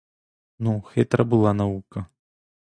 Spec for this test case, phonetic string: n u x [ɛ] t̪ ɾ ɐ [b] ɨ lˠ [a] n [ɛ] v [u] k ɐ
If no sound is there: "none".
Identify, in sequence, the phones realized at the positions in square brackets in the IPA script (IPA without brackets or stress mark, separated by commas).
ɛ, b, a, a, u